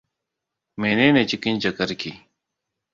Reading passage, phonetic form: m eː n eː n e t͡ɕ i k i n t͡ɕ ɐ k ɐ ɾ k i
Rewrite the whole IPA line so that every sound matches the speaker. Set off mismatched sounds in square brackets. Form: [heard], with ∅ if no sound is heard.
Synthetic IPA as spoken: m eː n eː n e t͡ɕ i k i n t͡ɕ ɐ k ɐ ɾ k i